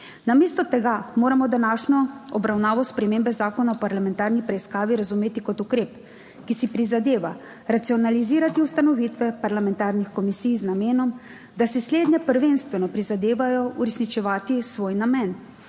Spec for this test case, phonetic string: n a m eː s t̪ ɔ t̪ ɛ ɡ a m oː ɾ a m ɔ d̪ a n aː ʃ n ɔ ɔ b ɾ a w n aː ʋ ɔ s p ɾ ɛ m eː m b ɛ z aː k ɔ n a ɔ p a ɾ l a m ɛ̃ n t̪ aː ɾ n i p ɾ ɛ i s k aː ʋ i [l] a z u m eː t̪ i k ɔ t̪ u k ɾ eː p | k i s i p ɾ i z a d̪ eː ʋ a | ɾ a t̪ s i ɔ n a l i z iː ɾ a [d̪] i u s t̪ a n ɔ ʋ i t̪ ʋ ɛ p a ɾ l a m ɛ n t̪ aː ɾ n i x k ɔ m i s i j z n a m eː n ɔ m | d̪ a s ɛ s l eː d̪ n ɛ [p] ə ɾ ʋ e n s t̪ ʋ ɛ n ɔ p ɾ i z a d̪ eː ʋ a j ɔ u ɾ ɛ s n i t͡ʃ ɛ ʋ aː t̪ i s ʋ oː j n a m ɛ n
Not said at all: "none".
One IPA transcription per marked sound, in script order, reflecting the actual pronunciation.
ɾ, t̪, p

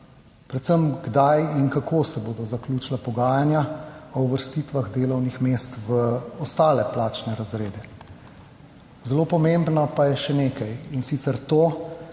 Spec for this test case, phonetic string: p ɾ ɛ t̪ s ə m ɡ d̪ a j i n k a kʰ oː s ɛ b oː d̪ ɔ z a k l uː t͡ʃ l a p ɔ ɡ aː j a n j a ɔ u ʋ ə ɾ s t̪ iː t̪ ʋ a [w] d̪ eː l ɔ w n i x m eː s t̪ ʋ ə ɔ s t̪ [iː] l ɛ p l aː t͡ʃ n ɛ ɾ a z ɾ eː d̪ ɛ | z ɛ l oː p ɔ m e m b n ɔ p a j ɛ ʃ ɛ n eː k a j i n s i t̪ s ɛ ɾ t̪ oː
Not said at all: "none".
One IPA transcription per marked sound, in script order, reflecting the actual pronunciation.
ɣ, aː

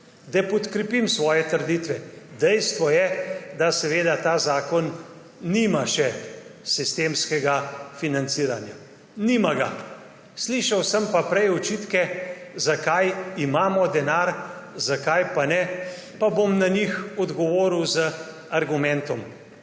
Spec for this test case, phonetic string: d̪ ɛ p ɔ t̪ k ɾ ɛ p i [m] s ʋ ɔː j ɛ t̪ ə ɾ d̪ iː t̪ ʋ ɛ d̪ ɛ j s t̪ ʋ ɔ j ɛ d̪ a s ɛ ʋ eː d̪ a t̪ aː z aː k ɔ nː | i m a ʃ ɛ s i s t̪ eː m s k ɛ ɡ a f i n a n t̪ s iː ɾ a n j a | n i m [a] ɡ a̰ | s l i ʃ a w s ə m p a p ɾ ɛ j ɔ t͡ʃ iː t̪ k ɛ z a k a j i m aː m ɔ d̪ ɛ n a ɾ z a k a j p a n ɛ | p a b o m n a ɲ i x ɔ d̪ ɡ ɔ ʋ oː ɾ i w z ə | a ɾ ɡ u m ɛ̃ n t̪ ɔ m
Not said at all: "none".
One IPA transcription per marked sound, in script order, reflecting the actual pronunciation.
m, a

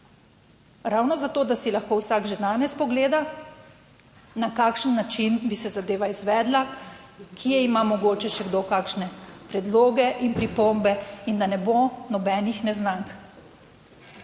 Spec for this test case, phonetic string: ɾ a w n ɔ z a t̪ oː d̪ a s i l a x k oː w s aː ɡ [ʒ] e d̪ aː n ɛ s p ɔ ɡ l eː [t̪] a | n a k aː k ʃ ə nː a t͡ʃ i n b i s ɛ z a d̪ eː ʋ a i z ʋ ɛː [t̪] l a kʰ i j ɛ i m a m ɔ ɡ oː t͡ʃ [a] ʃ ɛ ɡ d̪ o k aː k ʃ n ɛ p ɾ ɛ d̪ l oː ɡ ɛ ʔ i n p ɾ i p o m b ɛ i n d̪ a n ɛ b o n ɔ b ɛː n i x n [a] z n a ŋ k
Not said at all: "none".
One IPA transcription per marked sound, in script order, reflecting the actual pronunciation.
ʒ, d̪, d̪, ɛ, ɛ

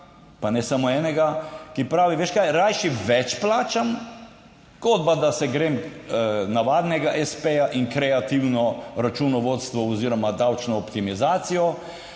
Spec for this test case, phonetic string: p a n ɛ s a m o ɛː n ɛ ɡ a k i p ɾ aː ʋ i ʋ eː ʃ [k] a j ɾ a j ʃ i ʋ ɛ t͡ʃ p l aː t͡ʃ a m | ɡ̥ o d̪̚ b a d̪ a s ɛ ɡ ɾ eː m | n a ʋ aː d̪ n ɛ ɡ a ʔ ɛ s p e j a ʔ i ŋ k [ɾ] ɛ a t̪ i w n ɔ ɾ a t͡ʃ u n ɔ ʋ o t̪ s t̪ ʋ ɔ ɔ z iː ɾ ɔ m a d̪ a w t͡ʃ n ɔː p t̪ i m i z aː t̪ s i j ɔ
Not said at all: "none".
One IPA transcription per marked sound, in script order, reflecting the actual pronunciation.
k, ɾ

